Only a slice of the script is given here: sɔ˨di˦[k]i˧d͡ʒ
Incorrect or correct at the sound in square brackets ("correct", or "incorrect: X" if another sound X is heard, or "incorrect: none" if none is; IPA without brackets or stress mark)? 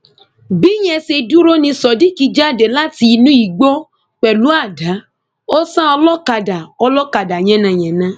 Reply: correct